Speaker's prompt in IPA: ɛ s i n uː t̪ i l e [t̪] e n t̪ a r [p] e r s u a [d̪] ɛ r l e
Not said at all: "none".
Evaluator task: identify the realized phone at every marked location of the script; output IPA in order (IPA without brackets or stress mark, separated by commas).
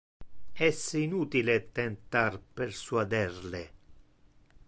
t̪, p, d̪